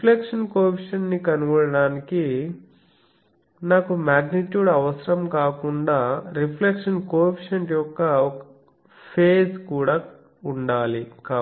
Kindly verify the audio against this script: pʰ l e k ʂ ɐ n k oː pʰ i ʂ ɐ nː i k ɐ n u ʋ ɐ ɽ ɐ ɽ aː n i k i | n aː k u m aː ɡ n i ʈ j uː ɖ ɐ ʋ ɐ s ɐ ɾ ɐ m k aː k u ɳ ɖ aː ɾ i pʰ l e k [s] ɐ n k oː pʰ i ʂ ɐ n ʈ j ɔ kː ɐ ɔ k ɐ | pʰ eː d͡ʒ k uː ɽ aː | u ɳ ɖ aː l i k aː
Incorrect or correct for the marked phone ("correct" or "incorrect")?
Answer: incorrect